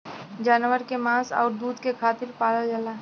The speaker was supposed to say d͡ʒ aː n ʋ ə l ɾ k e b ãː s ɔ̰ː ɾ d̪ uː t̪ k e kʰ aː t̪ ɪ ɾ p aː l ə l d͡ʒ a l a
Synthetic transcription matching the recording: d͡ʒ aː n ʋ ə ɾ k e m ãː s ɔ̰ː ɾ d̪ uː d̪ k e kʰ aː t̪ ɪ ɾ p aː l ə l d͡ʒ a l a